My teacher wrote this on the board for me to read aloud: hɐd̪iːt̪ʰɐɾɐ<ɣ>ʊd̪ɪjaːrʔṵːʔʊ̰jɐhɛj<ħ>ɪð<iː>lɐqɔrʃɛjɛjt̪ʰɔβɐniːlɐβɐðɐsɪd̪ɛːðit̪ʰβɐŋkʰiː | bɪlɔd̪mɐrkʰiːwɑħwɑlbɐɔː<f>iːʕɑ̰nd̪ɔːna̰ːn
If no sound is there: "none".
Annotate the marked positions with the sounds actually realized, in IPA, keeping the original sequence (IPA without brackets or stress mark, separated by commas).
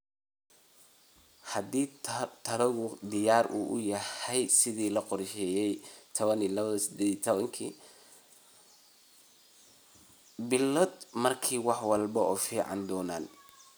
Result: ɣ, s, iː, f